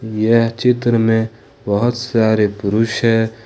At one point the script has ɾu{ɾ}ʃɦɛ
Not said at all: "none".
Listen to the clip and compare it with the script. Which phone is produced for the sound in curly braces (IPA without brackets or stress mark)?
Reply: none